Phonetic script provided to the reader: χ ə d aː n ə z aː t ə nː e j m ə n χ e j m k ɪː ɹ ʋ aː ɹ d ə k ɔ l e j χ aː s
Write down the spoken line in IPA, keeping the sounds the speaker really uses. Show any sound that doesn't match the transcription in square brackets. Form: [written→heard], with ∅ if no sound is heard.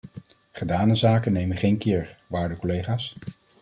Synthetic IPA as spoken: χ ə d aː n ə z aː [t→k] ə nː e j m ə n χ e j [m→n] k ɪː ɹ ʋ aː ɹ d ə k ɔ l e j χ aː s

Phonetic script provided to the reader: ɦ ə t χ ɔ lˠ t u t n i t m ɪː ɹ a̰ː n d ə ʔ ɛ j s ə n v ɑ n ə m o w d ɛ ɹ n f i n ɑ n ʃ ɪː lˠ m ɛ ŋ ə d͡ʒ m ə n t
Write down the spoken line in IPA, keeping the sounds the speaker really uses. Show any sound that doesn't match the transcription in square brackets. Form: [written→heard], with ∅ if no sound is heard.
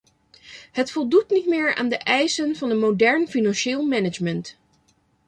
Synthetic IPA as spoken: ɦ ə t [χ→f] ɔ lˠ [t→d] u t n i t m ɪː ɹ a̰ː n d ə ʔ ɛ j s ə n v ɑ n ə m o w d ɛ ɹ n f i n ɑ n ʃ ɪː lˠ m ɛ [ŋ→n] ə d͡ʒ m ə n t

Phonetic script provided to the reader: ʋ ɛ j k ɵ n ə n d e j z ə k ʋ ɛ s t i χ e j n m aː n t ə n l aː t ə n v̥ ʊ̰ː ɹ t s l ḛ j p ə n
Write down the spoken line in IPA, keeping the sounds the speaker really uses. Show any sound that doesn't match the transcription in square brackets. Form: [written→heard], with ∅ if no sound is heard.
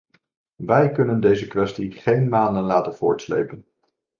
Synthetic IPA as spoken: ʋ ɛ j k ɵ n ə n d e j z ə k ʋ ɛ s t i χ e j n m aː n [t→d] ə n l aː t ə n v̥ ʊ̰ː ɹ t s l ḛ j p ə n

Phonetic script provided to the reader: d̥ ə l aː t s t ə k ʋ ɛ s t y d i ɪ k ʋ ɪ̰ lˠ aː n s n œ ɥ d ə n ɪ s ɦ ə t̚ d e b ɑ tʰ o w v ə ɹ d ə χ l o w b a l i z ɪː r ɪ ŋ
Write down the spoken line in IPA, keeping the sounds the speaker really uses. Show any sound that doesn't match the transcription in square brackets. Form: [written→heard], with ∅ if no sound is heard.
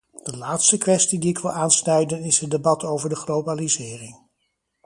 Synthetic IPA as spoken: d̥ ə l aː t s t ə k ʋ ɛ s t [y→i] d i ɪ k ʋ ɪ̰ lˠ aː n s n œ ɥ d ə n ɪ s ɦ ə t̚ d e b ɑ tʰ o w v ə ɹ d ə χ l o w b a l i z ɪː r ɪ ŋ

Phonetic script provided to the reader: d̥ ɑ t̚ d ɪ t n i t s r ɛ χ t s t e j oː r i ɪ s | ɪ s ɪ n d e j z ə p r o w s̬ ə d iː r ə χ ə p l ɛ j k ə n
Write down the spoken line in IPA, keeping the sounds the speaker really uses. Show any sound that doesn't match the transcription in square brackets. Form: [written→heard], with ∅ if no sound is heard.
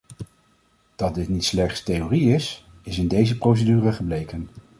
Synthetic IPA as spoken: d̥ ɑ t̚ d ɪ t n i t s [r→l] ɛ χ t s t e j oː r i ɪ s | ɪ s ɪ n d e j z ə p r o w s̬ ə d [iː→yː] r ə χ ə [p→b] l [ɛ→e] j k ə n

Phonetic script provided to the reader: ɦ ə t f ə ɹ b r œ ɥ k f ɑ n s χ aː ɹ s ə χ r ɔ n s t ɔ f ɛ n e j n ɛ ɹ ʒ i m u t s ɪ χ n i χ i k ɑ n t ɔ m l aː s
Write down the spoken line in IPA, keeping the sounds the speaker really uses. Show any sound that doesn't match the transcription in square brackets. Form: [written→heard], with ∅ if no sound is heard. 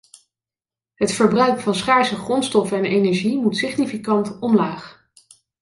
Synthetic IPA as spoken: ɦ ə t f ə ɹ b r œ ɥ k f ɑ n s χ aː ɹ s ə χ r ɔ n s t ɔ f ɛ n e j n ɛ ɹ ʒ i m u t s ɪ χ n i [χ→f] i k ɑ n t ɔ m l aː [s→χ]

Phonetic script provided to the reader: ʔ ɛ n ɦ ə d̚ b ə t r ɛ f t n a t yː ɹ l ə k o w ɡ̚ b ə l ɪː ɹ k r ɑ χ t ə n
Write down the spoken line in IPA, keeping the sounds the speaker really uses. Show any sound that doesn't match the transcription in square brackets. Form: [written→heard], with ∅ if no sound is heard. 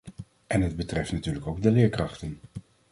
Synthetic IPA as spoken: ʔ ɛ n ɦ ə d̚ b ə t r ɛ f t n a t yː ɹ l ə k o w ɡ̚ [b→d] ə l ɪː ɹ k r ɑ χ t ə n

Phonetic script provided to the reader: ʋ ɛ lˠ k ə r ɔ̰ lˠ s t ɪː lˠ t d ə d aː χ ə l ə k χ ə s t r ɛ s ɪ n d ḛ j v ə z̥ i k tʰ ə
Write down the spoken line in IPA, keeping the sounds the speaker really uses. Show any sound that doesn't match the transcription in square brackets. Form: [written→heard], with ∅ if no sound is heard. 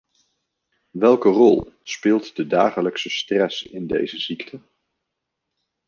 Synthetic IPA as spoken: ʋ ɛ lˠ k ə r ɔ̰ lˠ s [t→p] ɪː lˠ t d ə d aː χ ə l ə k [χ→s] ə s t r ɛ s ɪ n d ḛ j [v→z] ə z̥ i k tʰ ə

